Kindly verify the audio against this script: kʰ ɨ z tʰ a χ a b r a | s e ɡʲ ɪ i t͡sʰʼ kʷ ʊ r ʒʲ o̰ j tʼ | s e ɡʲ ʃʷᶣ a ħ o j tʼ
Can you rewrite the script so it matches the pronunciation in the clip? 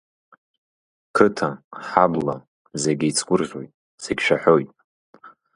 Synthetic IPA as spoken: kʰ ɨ tʰ a ħ a b l a | z e ɡʲ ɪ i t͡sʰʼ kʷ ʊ r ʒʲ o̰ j tʼ | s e ɡʲ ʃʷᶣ a ħ o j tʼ